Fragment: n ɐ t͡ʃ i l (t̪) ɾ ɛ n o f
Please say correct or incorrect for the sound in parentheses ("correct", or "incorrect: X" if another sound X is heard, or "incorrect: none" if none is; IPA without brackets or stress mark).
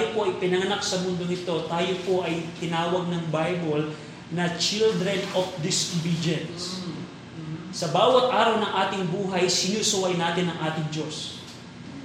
incorrect: d̪